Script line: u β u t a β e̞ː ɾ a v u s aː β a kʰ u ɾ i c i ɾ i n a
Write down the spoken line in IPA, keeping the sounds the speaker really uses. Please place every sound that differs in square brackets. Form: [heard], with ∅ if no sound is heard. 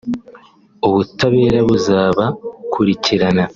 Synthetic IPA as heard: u β u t a β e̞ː ɾ a [β] u [z] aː β a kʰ u ɾ i c i ɾ [a] n a

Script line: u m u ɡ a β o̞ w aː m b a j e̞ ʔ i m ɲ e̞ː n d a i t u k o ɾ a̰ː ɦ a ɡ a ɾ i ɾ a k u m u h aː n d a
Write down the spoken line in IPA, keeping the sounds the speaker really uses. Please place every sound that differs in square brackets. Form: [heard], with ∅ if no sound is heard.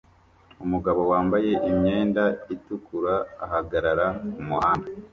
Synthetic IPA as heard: u m u ɡ a β o̞ w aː m b a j e̞ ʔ i m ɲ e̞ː n d a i t u k [u] ɾ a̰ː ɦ a ɡ a ɾ [a] ɾ a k u m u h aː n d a

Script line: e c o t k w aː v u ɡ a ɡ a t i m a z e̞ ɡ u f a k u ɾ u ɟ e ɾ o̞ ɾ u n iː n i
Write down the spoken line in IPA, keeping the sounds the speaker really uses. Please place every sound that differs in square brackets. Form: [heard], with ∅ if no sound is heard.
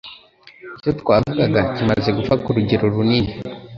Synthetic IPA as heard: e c o t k w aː v u ɡ a ɡ a [c] i m a z e̞ ɡ u f a k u ɾ u ɟ e ɾ o̞ ɾ u n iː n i

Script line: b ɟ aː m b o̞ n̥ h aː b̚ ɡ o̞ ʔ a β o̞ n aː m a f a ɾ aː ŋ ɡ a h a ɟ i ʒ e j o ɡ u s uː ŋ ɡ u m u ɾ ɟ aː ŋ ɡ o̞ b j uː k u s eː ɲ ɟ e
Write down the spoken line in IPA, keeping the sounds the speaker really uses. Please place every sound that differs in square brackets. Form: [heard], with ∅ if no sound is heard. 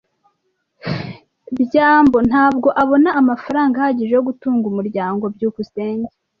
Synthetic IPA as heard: b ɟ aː m b o̞ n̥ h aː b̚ ɡ o̞ ʔ a β o̞ n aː m a f a ɾ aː ŋ ɡ a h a ɟ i ʒ e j o ɡ u [t] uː ŋ ɡ u m u ɾ ɟ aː ŋ ɡ o̞ b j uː k u s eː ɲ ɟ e

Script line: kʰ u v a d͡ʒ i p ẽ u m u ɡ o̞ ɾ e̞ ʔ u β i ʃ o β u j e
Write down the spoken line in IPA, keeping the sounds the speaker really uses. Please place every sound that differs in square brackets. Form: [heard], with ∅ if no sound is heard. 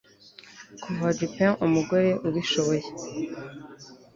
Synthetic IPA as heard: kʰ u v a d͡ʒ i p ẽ u m u ɡ o̞ ɾ e̞ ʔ u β i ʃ o β [o] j e

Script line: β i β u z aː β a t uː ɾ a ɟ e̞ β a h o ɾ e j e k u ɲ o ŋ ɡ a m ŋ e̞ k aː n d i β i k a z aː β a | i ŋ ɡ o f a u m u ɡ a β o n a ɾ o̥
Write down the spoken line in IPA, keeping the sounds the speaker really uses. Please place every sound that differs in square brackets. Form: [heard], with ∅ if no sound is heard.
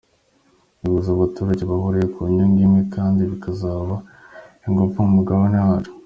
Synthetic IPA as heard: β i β u z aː β a t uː ɾ a ɟ e̞ β a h o ɾ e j e k u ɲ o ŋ ɡ [i] m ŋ e̞ k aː n d i β i k a z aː β a | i ŋ ɡ o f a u m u ɡ a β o n a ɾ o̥

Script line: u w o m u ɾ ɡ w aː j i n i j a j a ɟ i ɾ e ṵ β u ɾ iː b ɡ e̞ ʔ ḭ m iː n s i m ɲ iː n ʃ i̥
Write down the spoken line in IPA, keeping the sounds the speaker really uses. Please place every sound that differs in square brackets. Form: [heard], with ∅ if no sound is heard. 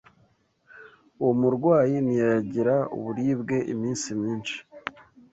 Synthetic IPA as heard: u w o m u ɾ ɡ w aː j i n i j a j a ɟ i ɾ [a] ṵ β u ɾ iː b ɡ e̞ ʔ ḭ m iː n s i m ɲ iː n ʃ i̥

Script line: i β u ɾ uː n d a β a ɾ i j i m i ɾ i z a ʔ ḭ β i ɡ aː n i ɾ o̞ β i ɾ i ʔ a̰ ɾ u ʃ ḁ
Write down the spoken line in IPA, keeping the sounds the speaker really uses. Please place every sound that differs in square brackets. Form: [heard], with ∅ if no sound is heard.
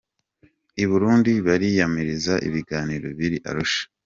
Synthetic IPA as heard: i β u ɾ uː n d [i] β a ɾ i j [a] m i ɾ i z a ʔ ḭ β i ɡ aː n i ɾ o̞ β i ɾ i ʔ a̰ ɾ u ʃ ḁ

